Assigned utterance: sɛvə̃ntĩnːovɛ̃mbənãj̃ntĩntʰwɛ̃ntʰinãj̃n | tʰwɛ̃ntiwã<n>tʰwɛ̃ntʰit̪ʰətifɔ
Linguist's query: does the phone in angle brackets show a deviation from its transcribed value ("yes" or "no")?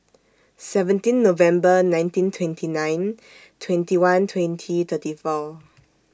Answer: no